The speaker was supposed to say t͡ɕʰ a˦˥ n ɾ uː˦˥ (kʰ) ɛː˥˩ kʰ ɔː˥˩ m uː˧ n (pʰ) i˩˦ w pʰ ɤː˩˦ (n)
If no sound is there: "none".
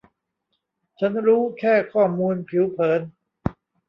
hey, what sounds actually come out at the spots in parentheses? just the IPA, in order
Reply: kʰ, pʰ, n

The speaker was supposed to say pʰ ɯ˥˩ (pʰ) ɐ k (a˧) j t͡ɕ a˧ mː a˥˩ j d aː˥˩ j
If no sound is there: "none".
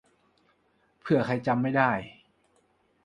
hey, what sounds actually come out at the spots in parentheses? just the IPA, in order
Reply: none, a˧

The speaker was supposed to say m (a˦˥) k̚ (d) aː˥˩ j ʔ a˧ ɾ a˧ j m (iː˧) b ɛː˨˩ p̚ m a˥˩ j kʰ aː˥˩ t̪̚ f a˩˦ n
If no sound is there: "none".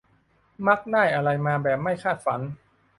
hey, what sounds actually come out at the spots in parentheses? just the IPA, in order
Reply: a˦˥, n, aː˧

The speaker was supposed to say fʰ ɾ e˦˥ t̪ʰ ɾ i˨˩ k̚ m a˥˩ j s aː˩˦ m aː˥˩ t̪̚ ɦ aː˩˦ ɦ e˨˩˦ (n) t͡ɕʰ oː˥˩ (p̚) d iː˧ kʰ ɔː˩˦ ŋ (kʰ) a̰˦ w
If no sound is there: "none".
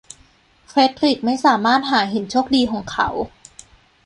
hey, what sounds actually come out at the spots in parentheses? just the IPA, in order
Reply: n, k̚, kʰ

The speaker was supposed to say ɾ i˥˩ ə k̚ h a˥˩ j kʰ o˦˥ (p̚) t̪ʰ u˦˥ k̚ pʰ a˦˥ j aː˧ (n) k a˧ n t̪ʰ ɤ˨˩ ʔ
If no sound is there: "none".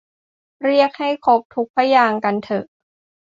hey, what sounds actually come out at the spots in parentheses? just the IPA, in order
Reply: p̚, ŋ

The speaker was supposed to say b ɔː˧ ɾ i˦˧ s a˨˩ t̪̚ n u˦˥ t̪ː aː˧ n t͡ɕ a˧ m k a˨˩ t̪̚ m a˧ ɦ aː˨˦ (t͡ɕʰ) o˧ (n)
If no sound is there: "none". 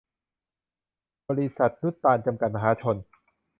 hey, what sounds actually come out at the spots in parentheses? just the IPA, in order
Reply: t͡ɕʰ, n

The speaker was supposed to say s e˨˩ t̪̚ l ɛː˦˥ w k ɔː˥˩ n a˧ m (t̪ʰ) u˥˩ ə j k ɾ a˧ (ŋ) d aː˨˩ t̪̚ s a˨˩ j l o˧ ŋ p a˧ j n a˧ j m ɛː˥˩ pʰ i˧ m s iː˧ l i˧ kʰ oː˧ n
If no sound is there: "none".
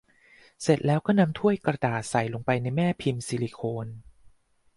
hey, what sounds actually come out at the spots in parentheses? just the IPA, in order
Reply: t̪ʰ, none

